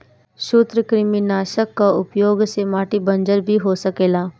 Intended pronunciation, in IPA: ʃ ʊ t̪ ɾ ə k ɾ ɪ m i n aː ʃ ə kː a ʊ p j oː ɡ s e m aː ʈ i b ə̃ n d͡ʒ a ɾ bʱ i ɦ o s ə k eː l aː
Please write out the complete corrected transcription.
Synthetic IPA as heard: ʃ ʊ t̪ ɾ ə k ɾ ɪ m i n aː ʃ ə kː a ʊ p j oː ɡ s e m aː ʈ i b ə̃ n d͡ʒ ə ɾ bʱ i ɦ o s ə k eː l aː